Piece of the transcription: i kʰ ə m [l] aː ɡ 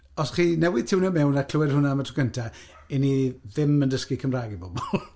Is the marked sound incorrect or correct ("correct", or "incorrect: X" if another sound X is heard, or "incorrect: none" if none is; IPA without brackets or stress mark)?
incorrect: r